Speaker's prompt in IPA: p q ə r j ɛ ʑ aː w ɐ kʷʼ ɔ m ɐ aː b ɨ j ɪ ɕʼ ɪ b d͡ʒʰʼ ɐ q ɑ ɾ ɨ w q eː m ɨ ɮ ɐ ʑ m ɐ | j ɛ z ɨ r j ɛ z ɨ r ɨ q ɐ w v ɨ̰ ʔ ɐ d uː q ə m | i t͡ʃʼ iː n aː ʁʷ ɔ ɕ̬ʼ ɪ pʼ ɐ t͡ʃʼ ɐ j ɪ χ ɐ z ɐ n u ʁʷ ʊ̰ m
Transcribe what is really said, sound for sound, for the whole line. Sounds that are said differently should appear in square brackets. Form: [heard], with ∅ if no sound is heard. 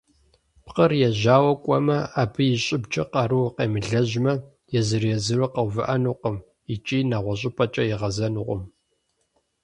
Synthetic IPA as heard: p q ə r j ɛ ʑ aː w ɐ kʷʼ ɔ m ɐ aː b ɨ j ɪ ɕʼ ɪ b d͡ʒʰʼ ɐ q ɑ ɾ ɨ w q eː m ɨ ɮ ɐ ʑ m ɐ | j ɛ z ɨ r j ɛ z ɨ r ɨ q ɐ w v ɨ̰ ʔ ɐ [n] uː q ə m | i t͡ʃʼ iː n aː ʁʷ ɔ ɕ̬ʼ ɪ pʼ ɐ t͡ʃʼ ɐ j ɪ [ʁ] ɐ z ɐ n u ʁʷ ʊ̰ m